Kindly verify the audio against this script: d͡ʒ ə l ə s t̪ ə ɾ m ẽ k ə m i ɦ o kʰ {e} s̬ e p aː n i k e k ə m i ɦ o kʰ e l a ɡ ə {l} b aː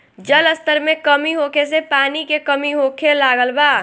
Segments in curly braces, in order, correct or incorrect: correct, correct

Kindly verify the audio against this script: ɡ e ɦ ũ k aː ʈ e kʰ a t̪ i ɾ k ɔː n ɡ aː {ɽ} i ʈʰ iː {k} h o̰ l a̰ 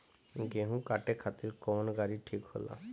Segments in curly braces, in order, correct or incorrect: incorrect: ɾ, correct

